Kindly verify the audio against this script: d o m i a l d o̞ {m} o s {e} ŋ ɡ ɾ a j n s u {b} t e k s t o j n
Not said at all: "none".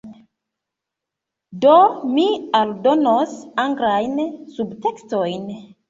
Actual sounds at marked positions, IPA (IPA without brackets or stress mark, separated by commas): n, a, b